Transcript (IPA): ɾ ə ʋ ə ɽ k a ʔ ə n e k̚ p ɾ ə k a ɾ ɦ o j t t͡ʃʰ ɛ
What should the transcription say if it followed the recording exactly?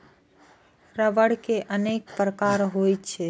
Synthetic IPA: ɾ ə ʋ ə ɽ k e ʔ ə n e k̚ p ɾ ə k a ɾ ɦ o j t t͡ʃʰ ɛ